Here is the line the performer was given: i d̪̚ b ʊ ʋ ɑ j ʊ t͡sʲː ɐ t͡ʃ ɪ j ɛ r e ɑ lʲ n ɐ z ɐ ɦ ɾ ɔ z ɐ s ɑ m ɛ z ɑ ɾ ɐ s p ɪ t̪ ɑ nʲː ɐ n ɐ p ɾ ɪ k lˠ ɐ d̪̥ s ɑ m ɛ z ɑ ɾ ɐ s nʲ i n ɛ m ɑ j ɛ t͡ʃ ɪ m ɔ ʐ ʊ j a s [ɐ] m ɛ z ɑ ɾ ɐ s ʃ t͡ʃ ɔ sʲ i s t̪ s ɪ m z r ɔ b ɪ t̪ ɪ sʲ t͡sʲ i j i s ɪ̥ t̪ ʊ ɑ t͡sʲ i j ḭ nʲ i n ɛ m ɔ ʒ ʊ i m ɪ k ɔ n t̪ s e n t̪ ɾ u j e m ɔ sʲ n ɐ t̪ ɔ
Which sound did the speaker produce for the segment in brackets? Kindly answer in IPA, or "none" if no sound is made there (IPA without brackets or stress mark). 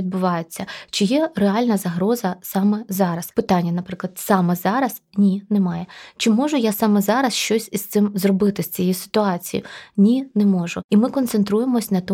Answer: ɑ